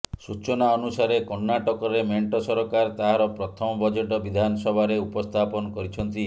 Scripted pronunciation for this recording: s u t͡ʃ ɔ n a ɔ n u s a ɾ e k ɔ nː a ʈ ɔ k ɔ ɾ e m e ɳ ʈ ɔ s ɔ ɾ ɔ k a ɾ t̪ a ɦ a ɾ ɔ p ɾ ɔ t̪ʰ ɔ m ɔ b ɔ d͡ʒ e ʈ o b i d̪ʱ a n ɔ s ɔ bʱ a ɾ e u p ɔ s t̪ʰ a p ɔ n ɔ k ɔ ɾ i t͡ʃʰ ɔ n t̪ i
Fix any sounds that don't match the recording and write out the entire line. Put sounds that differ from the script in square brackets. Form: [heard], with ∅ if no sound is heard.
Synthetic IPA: s u t͡ʃ ɔ n a ɔ n u s a ɾ e k ɔ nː a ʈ ɔ k ɔ ɾ e m e ɳ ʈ ɔ s ɔ ɾ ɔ k a ɾ t̪ a ɦ a ɾ ɔ p ɾ ɔ t̪ʰ ɔ m ɔ b ɔ d͡ʒ e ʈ [ɔ] b i d̪ʱ a n ɔ s ɔ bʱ a ɾ e u p ɔ s t̪ʰ a p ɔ n ɔ k ɔ ɾ i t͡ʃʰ ɔ n t̪ i